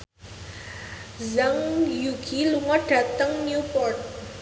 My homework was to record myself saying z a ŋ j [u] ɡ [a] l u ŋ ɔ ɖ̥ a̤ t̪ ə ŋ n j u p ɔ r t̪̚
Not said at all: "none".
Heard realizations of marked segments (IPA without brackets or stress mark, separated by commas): u, i